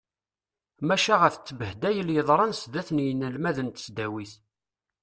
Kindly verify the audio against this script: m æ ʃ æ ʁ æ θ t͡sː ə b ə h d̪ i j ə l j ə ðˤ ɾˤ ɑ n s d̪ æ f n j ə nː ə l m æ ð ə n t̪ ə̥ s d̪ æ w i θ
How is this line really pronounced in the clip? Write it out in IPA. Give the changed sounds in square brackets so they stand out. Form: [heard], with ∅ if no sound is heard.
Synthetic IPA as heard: m æ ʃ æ ʁ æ θ t͡sː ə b ə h d̪ [æ] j ə l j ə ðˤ ɾˤ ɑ n s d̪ æ [θ] n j ə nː ə l m æ ð ə n t̪ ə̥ s d̪ æ w i θ

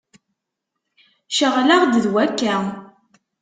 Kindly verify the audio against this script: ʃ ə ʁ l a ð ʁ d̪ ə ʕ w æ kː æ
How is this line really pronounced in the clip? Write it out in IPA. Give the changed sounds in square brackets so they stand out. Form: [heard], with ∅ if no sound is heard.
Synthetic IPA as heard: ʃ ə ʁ l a [∅] ʁ d̪ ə [ð] w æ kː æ

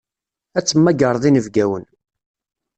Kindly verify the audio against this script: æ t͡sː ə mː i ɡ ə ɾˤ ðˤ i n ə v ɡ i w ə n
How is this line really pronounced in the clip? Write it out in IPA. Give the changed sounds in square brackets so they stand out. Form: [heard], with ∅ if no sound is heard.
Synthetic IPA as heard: æ t͡sː ə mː [æ] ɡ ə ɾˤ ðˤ i n ə v ɡ [æ] w ə n

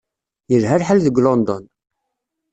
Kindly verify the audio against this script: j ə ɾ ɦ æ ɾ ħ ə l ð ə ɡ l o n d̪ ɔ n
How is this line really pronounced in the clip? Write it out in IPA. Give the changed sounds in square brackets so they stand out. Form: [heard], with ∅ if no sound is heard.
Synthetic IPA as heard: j ə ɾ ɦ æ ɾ ħ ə l ð ə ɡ l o n d̪ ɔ n

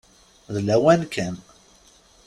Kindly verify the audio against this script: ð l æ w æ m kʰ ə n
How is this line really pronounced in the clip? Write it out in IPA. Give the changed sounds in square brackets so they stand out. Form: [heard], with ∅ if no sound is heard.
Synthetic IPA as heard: ð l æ w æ [n] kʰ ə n

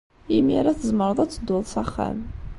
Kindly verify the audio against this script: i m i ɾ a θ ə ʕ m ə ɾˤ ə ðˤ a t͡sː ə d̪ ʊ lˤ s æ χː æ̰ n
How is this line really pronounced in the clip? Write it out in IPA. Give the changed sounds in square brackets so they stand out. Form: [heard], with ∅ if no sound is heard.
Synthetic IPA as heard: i m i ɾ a θ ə [z] m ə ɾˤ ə ðˤ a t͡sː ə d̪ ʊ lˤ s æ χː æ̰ [m]

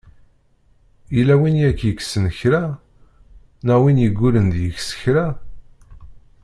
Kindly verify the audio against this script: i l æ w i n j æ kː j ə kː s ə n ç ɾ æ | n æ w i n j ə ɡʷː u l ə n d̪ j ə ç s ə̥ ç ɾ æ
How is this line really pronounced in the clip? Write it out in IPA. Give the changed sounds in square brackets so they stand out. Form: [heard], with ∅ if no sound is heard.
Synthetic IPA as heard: i l æ w i n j æ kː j ə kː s ə n ç ɾ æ | n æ w i n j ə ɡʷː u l ə n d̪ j ə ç s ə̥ ç ɾ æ

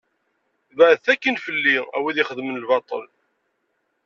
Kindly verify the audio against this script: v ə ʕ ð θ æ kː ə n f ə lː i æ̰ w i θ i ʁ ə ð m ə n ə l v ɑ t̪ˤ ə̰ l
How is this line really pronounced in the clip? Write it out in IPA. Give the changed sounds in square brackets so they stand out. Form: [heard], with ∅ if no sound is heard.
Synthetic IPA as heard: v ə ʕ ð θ æ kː ə n f ə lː i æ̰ w i [ð] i [χ] ə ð m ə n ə l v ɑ t̪ˤ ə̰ l

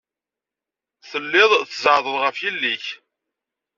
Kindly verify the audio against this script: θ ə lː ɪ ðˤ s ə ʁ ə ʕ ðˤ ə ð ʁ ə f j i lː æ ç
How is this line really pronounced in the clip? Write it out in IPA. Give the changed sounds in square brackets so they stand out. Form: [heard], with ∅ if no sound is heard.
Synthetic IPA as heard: θ ə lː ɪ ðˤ [θ] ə [z] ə ʕ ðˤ ə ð ʁ ə f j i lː [i] ç

